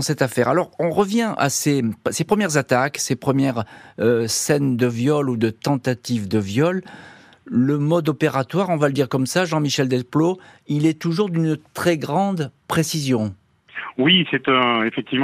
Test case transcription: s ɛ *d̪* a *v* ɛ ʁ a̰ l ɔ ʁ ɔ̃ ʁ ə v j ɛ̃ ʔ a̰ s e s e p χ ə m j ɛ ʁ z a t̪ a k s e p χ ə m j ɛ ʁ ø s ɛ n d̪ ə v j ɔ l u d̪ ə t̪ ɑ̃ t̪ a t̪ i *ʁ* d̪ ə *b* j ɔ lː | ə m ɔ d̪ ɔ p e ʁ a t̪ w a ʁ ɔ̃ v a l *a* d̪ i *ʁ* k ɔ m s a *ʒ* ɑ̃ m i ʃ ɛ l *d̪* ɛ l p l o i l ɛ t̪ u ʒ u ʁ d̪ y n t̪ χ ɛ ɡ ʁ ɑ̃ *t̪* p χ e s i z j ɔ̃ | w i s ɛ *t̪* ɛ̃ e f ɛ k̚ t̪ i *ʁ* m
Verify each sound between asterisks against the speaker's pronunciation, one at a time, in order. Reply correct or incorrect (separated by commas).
incorrect, incorrect, incorrect, incorrect, incorrect, correct, correct, correct, incorrect, correct, incorrect